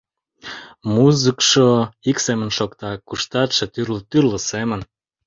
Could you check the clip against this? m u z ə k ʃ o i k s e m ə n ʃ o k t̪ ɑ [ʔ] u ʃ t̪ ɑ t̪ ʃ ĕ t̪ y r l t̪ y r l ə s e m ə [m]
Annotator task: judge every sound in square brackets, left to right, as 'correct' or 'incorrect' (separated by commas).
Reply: incorrect, incorrect